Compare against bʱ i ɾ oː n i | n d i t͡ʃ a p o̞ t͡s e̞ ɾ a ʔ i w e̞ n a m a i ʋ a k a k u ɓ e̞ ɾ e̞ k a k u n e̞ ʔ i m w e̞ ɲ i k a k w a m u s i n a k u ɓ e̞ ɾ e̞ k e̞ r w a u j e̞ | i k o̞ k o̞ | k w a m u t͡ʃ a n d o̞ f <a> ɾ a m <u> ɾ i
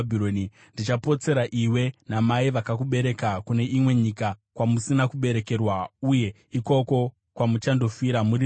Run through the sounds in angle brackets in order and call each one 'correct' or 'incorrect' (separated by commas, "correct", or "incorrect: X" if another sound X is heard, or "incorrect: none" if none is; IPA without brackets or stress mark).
incorrect: i, correct